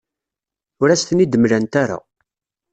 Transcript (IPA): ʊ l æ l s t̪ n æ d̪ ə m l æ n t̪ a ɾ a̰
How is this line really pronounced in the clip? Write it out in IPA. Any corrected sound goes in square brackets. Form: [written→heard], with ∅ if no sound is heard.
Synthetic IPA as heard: ʊ [l→ɾ] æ [l→∅] s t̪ n [æ→i] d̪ ə m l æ n t̪ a ɾ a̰